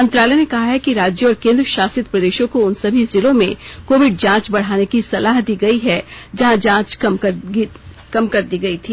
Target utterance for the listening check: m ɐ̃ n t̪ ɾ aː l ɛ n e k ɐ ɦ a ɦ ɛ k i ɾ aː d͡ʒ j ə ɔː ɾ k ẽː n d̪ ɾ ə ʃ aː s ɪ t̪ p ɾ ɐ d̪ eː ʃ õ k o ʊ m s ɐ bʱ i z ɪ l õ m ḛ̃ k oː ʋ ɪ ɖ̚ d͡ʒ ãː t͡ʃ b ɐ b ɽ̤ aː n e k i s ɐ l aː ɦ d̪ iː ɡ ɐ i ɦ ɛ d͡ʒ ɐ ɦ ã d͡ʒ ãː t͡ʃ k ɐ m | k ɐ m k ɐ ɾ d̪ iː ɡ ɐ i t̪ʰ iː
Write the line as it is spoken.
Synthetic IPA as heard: m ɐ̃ n t̪ ɾ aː l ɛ n e k ɐ ɦ a ɦ ɛ k i ɾ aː d͡ʒ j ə ɔː ɾ k ẽː n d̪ ɾ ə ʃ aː s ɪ t̪ p ɾ ɐ d̪ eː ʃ õ k o ʊ n s ɐ bʱ i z ɪ l õ m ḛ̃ k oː ʋ ɪ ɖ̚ d͡ʒ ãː t͡ʃ b ɐ ɽ̤ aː n e k i s ɐ l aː ɦ d̪ iː ɡ ɐ i ɦ ɛ d͡ʒ ɐ ɦ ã d͡ʒ ãː t͡ʃ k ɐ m | k ɐ m k ɐ ɾ d̪ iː ɡ ɐ i t̪ʰ iː

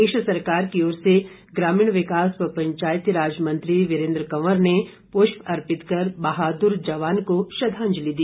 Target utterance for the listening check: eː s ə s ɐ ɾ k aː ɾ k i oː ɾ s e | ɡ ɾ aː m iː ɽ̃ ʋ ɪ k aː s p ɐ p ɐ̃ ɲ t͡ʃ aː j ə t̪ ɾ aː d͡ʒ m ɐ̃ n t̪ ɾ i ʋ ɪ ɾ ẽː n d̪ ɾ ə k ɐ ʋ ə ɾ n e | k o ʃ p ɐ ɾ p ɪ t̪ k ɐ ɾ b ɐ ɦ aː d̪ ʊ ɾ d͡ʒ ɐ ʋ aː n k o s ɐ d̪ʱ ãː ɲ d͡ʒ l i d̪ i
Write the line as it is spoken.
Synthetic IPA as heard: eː ʃ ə s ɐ ɾ k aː ɾ k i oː ɾ s e | ɡ ɾ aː m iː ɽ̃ ʋ ɪ k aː s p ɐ p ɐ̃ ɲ t͡ʃ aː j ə t̪ ɾ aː d͡ʒ m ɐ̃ n t̪ ɾ i ʋ ɪ ɾ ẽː n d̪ ɾ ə k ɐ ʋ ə ɾ n e | p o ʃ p ɐ ɾ p ɪ t̪ k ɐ ɾ b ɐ ɦ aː d̪ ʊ ɾ d͡ʒ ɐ ʋ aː n k o ʃ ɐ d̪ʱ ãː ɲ d͡ʒ l i d̪ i

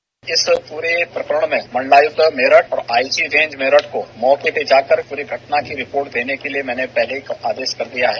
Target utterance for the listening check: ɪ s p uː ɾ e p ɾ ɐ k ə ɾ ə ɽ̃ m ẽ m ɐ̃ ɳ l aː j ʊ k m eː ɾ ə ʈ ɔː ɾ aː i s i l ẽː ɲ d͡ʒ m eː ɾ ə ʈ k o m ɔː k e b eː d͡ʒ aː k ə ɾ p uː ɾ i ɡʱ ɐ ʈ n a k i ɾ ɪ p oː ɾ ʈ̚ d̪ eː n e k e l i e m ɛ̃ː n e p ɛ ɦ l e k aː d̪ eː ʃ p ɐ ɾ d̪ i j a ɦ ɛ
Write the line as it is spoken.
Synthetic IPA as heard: ɪ s p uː ɾ e p ɾ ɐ k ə ɾ ə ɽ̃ m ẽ m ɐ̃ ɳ l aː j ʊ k m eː ɾ ə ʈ ɔː ɾ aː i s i ɾ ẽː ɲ d͡ʒ m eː ɾ ə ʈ k o m ɔː k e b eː d͡ʒ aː k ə ɾ p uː ɾ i ɡʱ ɐ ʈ n a k i ɾ ɪ p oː ɾ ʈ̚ d̪ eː n e k e l i e m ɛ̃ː n e p ɛ ɦ l e k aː d̪ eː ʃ k ɐ ɾ d̪ i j a ɦ ɛː

